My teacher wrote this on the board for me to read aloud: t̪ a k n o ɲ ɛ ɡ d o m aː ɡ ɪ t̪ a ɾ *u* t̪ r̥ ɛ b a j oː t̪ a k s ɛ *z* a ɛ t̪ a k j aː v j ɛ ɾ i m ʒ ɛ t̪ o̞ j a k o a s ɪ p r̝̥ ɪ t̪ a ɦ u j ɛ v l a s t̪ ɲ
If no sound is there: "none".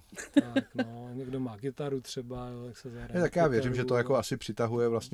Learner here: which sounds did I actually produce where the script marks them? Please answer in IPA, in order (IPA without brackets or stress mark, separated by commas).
u, z